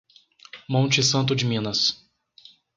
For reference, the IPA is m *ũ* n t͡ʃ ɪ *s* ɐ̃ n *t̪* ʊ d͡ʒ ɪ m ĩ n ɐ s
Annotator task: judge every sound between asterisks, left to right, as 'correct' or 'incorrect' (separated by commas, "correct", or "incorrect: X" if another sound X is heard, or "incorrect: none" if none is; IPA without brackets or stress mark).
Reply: incorrect: õ, correct, correct